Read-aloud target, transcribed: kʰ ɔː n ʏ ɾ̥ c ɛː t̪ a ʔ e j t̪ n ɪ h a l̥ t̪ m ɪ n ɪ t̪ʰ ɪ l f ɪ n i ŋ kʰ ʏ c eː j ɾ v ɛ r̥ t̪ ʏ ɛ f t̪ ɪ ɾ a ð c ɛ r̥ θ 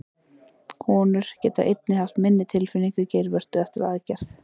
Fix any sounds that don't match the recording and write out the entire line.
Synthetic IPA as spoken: kʰ ɔː n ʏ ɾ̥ c ɛː t̪ a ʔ e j t̪ n ɪ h a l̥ t̪ m ɪ nː ɪ t̪ʰ ɪ l f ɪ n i ŋ k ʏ c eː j ɾ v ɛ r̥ t̪ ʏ ɛ f t̪ ɪ ɾ a ð c ɛ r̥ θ

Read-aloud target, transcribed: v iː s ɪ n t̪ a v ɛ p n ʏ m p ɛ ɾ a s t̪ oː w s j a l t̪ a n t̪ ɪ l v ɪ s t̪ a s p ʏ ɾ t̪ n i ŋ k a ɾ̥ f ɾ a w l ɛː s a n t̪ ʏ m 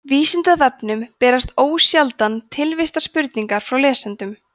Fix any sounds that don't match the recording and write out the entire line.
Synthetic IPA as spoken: v iː s ɪ n t̪ a v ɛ p n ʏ m p ɛː ɾ a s t̪ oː w s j a l t̪ a n t̪ʰ ɪ l v ɪ s t̪ a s p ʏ ɾ t̪ n i ŋ k a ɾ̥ f ɾ a w l ɛː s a n t̪ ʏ m

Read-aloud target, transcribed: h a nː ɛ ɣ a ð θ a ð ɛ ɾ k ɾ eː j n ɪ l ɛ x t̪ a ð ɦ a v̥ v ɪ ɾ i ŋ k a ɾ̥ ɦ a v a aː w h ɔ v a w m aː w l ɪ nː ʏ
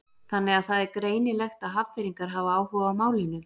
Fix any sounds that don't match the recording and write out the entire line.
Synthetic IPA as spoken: θ a nː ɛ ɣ a ð θ a ð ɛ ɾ k ɾ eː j n ɪ l ɛ x t̪ a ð ɦ a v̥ f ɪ ɾ i ŋ k a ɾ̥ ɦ a v a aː w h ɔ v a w m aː w l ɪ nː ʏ

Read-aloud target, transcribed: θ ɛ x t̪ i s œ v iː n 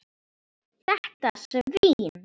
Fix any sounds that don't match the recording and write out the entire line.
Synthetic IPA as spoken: θ ɛ h t̪ a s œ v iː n

